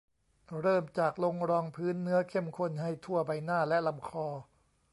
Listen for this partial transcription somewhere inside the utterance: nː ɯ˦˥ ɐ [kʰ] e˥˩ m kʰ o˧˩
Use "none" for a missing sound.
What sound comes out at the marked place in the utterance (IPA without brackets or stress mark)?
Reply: kʰ